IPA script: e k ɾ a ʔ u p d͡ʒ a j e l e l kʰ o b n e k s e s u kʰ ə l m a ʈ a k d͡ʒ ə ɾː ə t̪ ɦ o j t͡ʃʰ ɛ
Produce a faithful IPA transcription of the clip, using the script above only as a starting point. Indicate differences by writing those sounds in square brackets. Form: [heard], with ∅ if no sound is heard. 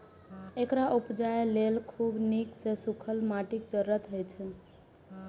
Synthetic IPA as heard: e k ɾ a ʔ u p d͡ʒ a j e l e l kʰ [u] b n [i] k s e s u kʰ ə l m a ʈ [i] k d͡ʒ ə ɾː ə t̪ ɦ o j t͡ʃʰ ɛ